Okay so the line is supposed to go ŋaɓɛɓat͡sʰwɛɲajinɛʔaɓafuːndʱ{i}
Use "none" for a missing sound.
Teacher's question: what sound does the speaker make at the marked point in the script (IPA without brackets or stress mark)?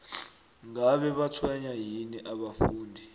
i